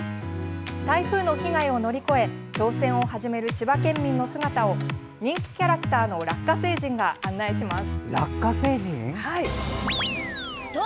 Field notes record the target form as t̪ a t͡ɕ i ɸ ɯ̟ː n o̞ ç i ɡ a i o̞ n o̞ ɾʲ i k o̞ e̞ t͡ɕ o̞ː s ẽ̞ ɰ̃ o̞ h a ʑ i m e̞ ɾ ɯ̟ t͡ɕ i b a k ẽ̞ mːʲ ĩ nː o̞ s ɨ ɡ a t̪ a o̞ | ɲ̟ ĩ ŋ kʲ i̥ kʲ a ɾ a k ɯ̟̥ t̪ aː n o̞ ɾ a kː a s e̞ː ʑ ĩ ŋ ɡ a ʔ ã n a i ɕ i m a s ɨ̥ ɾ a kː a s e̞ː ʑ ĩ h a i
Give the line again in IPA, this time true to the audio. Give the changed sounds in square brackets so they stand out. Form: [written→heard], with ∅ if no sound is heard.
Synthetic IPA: t̪ a [t͡ɕ→∅] i ɸ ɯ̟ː n o̞ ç i ɡ a i o̞ n o̞ ɾʲ i k o̞ e̞ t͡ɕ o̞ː s ẽ̞ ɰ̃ o̞ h a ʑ i m e̞ ɾ ɯ̟ t͡ɕ i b a k ẽ̞ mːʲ ĩ nː o̞ s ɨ ɡ a t̪ a o̞ | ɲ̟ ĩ ŋ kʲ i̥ kʲ a ɾ a k ɯ̟̥ t̪ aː n o̞ ɾ a kː a s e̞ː ʑ ĩ ŋ ɡ a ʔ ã [n→nː] a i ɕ i m a s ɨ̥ ɾ a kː a s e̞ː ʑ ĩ h a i